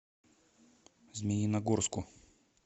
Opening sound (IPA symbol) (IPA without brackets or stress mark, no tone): z